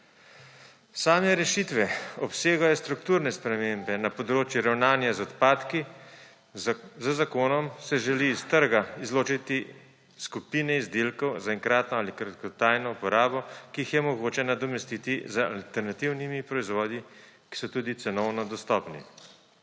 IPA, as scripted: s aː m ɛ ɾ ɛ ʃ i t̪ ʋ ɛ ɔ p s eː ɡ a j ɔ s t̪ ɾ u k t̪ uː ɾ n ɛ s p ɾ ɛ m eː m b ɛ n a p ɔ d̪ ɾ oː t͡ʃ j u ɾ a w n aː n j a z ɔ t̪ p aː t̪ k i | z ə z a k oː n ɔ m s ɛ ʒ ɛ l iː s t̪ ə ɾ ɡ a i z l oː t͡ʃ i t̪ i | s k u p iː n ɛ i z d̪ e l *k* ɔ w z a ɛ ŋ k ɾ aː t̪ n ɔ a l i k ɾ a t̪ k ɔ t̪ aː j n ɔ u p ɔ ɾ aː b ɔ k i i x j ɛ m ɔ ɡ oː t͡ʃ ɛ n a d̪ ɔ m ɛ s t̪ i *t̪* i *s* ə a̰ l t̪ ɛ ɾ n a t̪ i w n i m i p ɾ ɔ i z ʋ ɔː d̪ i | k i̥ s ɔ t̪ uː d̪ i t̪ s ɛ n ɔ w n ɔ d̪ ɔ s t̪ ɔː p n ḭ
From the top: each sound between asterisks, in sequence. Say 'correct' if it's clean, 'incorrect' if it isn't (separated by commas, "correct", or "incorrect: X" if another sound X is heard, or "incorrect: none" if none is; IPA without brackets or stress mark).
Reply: correct, correct, incorrect: z